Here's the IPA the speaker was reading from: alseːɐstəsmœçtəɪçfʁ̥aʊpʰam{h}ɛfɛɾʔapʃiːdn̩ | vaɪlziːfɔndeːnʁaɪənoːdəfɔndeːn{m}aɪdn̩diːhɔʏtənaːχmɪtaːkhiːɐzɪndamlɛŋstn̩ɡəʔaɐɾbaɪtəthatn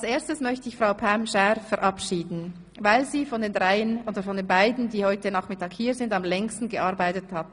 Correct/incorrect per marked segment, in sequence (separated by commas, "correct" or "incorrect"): incorrect, incorrect